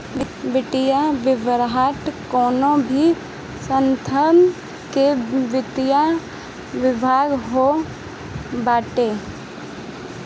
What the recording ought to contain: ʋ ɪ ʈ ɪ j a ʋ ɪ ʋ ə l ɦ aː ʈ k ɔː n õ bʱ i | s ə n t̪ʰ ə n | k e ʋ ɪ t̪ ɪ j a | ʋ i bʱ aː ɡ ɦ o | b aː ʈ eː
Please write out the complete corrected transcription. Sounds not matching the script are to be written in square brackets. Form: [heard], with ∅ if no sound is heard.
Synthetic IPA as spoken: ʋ ɪ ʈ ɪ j a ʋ ɪ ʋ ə [ɾ] ɦ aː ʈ k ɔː n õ bʱ i | s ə n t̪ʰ ə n | k e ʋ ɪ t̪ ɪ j a | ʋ [ɪ] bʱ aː ɡ ɦ o | b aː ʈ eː